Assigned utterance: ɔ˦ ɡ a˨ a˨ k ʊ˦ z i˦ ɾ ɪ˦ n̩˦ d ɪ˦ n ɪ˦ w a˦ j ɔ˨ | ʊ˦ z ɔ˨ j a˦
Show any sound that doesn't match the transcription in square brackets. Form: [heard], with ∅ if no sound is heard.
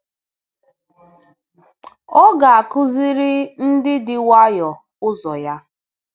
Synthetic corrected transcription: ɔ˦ ɡ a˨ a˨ k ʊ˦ z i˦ ɾ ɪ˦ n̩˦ d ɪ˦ [d] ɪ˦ w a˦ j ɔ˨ | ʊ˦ z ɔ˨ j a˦